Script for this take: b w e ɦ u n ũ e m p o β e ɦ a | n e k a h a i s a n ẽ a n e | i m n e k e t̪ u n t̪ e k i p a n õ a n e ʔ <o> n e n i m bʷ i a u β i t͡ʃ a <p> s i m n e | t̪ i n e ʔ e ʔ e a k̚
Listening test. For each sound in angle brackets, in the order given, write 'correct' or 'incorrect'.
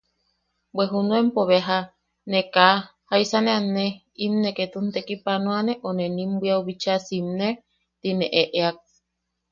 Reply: correct, incorrect

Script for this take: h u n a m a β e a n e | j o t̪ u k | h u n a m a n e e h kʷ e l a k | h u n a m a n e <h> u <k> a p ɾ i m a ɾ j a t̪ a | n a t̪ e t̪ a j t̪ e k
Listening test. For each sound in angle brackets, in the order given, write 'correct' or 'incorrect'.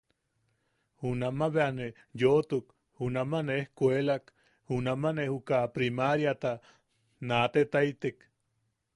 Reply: correct, correct

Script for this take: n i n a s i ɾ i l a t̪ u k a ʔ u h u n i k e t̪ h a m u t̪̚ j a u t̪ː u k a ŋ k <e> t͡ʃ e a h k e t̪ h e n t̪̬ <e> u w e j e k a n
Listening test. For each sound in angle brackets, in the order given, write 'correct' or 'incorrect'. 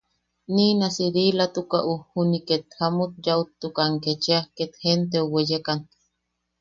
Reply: correct, correct

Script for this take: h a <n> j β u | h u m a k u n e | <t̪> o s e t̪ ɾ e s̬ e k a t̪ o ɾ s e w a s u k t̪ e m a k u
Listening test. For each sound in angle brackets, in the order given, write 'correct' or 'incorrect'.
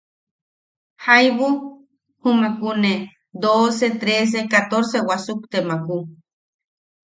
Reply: incorrect, incorrect

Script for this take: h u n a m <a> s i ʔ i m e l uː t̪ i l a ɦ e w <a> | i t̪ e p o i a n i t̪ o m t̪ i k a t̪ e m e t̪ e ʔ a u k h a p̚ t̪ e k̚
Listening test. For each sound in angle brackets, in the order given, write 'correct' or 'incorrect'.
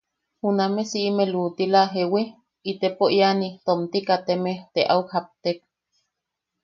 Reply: incorrect, incorrect

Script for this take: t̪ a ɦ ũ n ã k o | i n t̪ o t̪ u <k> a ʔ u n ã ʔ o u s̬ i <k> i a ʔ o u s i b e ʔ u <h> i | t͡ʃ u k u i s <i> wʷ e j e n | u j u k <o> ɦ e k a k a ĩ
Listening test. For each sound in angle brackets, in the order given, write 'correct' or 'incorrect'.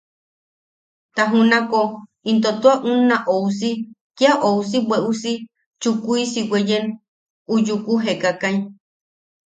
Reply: incorrect, correct, incorrect, correct, incorrect

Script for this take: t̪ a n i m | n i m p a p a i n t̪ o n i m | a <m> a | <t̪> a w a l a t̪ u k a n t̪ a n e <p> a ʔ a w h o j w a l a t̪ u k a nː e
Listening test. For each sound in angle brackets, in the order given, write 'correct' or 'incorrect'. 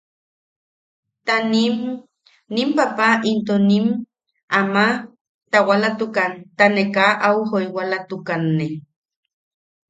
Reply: correct, correct, incorrect

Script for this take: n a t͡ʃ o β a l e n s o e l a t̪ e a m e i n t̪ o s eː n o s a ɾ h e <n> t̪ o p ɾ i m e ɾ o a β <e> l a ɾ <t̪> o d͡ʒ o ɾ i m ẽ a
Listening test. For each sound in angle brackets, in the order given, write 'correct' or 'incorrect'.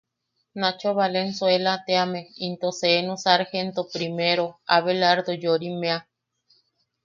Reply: correct, correct, incorrect

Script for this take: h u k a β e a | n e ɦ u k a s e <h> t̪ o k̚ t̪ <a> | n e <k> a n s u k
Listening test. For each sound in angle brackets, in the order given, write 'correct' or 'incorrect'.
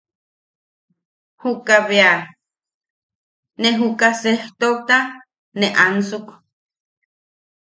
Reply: correct, correct, incorrect

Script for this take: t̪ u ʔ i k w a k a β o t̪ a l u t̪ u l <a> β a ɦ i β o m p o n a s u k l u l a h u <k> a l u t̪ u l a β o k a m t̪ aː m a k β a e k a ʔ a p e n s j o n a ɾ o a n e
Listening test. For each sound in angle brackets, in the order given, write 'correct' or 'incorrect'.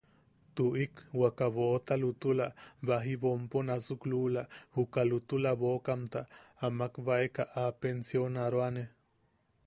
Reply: correct, correct

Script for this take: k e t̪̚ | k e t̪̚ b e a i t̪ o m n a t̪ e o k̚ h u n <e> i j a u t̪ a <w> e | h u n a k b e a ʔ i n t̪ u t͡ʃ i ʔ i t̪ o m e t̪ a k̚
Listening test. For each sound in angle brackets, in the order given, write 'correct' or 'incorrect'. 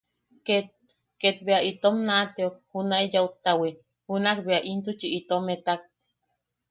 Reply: incorrect, correct

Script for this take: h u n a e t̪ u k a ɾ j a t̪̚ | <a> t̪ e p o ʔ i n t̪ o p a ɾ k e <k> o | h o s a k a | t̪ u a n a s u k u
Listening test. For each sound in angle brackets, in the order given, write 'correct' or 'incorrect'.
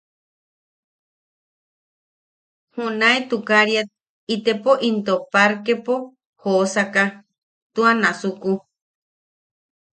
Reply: incorrect, incorrect

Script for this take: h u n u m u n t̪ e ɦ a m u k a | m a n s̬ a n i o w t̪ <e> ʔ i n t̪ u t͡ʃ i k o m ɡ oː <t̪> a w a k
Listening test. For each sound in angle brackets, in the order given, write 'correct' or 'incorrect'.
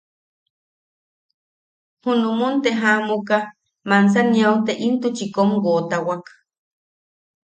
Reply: correct, correct

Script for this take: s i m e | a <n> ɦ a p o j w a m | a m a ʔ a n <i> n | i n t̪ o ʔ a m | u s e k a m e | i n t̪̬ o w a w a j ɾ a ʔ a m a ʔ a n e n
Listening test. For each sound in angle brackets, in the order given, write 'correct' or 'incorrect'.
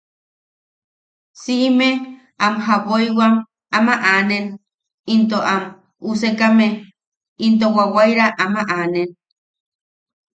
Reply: incorrect, incorrect

